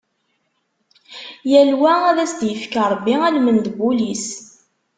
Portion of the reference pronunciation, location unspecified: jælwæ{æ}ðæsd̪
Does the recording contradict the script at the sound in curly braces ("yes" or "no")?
no